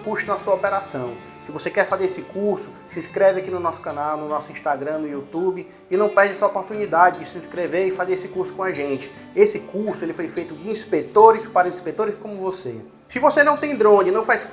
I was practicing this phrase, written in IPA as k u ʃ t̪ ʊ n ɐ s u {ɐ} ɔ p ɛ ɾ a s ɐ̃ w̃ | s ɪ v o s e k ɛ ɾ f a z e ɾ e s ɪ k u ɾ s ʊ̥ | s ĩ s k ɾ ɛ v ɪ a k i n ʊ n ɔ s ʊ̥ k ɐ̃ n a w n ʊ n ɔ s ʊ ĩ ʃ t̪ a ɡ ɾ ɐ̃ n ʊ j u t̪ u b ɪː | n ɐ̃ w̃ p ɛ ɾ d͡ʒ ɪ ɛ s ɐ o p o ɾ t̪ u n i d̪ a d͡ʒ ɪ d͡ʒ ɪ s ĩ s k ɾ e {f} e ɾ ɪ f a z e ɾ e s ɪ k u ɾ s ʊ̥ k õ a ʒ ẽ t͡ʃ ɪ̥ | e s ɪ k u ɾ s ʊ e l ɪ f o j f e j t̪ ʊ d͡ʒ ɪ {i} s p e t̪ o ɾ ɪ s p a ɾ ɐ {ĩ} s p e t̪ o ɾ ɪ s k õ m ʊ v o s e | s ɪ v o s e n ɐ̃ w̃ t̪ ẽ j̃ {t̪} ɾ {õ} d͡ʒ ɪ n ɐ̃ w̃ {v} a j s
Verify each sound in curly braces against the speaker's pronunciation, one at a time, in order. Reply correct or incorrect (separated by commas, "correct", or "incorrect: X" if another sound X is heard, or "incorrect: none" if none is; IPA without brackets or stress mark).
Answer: correct, incorrect: v, incorrect: ĩ, correct, incorrect: d̪, correct, incorrect: f